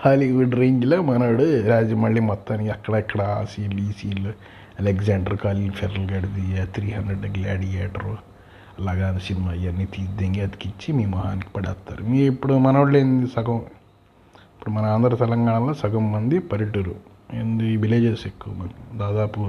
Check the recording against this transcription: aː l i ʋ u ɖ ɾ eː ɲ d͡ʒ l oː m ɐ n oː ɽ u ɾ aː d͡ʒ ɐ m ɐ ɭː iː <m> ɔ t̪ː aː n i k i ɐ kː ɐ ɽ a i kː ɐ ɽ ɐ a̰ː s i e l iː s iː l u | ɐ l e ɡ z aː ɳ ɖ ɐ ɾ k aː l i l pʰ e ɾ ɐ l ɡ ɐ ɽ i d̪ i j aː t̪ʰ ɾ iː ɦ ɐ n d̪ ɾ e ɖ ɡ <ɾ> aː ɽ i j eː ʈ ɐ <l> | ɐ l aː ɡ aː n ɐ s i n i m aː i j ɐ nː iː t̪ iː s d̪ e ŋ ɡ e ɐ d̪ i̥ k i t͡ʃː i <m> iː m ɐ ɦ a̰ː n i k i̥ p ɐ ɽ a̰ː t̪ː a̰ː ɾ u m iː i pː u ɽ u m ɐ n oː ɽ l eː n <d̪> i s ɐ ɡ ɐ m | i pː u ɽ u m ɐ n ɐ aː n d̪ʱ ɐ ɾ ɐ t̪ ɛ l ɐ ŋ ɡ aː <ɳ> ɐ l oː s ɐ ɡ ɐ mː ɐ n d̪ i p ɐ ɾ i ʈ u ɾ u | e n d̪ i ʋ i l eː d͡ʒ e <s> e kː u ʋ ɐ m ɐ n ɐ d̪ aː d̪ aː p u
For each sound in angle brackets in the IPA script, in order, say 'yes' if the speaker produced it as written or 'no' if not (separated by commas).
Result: yes, no, no, yes, yes, yes, yes